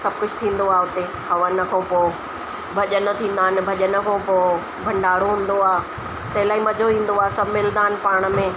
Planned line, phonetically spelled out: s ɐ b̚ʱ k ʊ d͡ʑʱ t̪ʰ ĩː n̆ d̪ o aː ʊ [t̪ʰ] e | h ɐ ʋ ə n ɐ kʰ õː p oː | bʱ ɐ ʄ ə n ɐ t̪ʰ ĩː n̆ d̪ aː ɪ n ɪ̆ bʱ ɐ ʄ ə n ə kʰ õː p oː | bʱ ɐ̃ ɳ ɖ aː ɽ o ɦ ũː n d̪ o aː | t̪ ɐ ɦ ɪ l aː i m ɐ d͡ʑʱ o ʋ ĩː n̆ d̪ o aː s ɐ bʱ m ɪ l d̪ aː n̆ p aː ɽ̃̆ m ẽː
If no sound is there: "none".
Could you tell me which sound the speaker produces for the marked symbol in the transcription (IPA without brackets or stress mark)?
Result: t̪